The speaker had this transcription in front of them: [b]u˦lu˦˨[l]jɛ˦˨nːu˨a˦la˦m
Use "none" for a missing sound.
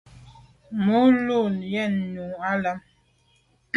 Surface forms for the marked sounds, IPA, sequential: m, l

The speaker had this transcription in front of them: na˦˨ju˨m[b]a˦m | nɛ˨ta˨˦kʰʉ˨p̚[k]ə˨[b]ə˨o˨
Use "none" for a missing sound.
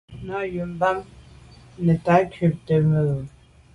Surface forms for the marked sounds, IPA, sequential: b, t, m

